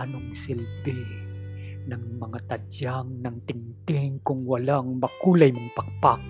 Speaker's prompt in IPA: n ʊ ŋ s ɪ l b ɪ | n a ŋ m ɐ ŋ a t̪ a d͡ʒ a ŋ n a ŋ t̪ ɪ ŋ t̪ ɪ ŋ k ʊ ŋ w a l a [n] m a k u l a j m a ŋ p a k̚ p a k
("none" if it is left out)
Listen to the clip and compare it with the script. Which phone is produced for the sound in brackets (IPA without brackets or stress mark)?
ŋ